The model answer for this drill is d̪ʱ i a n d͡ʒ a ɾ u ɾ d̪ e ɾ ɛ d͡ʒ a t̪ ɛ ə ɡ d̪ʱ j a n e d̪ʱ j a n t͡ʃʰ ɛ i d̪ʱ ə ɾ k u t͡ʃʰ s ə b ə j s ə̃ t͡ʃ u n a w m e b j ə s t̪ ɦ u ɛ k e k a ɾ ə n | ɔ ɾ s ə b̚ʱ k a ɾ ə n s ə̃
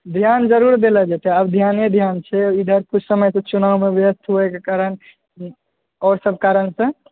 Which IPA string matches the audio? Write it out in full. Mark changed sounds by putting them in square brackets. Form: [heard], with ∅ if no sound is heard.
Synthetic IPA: d̪ʱ [j] a n d͡ʒ [ə] ɾ u ɾ d̪ e [l] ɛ d͡ʒ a t̪ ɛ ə [b] d̪ʱ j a n e d̪ʱ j a n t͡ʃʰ ɛ i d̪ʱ ə ɾ k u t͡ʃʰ s ə [m] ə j s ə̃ t͡ʃ u n a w m e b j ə s t̪ ɦ u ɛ k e k a ɾ ə n | ɔ ɾ s ə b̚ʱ k a ɾ ə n s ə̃